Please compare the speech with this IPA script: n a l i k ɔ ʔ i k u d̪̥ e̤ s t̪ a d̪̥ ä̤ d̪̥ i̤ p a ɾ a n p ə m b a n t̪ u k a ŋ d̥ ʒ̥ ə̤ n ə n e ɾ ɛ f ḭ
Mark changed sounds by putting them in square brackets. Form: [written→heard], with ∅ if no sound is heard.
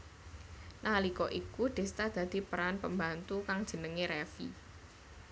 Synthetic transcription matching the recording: n a l i k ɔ ʔ i k u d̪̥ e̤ s t̪ a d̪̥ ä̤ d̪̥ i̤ p [a→ə] ɾ a n p ə m b a n t̪ u k a ŋ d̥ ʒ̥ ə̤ n ə [n→ŋ] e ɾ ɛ f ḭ